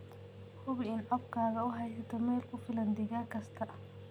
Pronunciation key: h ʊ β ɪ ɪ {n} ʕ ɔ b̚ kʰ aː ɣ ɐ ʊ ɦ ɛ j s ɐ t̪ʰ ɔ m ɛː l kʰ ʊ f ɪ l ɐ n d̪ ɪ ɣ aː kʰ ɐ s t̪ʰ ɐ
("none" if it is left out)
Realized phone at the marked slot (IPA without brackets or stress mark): n